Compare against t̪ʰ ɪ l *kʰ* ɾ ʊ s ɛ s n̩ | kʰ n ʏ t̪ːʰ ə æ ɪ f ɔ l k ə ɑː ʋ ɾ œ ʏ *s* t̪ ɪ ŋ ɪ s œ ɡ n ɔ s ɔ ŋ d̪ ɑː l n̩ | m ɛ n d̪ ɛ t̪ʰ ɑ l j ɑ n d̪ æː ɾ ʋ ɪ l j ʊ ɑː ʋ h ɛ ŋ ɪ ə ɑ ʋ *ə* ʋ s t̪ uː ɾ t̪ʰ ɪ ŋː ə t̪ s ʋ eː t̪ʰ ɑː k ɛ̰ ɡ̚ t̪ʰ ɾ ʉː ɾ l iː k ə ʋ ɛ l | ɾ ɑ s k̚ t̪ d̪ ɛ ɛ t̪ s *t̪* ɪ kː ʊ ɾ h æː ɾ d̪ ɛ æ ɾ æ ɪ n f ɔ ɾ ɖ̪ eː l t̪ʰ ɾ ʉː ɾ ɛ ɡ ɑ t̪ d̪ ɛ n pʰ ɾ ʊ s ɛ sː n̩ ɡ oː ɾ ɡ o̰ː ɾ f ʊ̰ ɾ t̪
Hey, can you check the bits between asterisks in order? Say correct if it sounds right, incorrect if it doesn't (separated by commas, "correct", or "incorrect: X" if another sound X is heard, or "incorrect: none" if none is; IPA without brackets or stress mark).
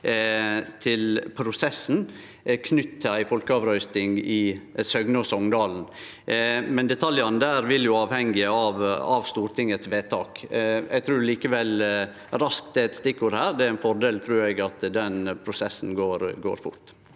incorrect: pʰ, correct, incorrect: ɑ, correct